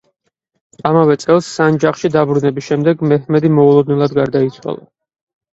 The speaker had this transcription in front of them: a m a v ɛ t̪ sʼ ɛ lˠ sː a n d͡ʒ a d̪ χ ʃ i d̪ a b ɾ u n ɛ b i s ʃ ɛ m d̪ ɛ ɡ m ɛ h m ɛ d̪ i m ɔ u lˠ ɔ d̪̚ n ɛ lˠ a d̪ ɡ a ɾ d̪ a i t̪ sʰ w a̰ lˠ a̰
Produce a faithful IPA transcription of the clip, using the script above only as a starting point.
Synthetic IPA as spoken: a m a v ɛ t̪ sʼ ɛ lˠ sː a n d͡ʒ a χ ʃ i d̪ a b ɾ u n ɛ b i s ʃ ɛ m d̪ ɛ ɡ m ɛ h m ɛ d̪ i m ɔ u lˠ ɔ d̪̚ n ɛ lˠ a d̪ ɡ a ɾ d̪ a i t̪ sʰ w a̰ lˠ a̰